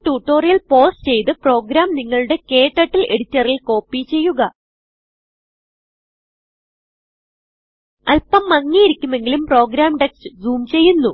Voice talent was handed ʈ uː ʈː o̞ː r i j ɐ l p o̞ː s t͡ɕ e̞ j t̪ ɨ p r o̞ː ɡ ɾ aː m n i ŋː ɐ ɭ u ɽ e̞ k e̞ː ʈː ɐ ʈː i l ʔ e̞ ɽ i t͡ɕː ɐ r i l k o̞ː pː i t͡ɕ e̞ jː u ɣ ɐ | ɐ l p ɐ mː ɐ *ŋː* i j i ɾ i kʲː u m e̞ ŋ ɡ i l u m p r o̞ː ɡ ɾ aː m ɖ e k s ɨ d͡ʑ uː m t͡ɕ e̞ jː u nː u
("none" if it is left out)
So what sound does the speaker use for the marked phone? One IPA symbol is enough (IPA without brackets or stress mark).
ŋː